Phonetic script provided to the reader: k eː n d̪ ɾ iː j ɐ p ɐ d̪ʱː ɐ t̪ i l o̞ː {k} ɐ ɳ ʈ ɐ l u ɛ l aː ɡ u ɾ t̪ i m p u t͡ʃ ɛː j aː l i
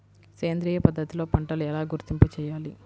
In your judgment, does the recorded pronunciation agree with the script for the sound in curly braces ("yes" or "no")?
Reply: no